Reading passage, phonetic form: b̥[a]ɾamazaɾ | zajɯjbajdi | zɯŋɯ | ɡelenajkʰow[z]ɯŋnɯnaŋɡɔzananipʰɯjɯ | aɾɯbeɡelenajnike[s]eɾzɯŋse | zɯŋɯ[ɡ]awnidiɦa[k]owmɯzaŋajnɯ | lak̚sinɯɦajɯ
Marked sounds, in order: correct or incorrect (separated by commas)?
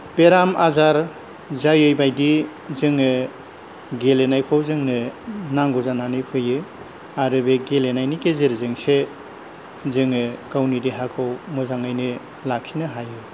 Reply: incorrect, correct, incorrect, incorrect, incorrect